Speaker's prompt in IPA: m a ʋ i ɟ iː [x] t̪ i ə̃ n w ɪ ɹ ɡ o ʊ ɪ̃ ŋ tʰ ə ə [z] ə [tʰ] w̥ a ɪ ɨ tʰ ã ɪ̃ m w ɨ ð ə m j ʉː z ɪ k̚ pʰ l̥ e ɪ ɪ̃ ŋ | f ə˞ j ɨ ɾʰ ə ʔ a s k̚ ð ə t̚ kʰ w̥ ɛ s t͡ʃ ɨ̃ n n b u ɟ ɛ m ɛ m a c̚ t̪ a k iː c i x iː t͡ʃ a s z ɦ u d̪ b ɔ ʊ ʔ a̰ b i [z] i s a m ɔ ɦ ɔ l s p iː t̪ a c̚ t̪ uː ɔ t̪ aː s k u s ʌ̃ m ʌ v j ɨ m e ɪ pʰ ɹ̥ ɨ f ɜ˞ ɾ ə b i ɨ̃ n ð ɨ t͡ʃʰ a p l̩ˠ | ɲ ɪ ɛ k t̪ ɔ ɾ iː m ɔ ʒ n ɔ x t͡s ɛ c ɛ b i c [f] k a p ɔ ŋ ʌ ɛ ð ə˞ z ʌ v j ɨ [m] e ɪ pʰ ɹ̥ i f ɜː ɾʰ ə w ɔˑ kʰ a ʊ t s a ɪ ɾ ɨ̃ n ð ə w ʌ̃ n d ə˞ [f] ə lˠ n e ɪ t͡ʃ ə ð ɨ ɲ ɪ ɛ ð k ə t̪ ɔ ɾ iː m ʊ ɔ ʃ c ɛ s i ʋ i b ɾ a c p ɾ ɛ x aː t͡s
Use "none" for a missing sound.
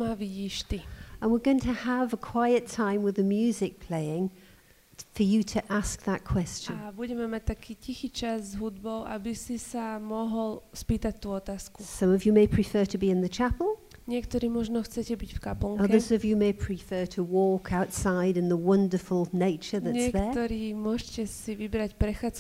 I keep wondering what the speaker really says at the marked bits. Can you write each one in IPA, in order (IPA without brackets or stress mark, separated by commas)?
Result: ʃ, v, kʰ, s, f, m, f